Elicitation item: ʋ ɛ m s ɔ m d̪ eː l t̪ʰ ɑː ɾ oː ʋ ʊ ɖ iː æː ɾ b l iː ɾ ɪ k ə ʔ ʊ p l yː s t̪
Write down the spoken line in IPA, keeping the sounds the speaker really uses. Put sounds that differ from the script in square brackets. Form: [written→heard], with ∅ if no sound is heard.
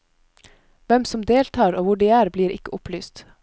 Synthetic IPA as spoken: ʋ ɛ m s ɔ m d̪ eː l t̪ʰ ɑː ɾ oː ʋ ʊ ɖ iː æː ɾ b l iː ɾ ɪ k ə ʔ ʊ p l yː s t̪